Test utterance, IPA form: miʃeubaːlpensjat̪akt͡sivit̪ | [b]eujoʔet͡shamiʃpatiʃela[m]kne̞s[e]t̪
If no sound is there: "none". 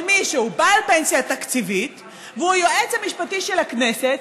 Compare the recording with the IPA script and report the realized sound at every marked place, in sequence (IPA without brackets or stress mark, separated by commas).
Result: v, none, e